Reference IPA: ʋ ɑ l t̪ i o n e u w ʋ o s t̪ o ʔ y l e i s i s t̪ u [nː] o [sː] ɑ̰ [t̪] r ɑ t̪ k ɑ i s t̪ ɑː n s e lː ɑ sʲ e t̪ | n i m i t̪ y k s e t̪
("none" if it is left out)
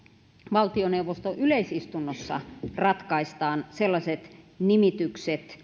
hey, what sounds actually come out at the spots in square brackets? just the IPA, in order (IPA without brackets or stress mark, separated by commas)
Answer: nː, sː, none